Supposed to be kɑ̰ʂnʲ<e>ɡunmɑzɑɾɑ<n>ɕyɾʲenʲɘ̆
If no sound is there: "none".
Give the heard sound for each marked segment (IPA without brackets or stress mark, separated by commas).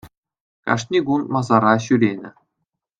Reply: i, none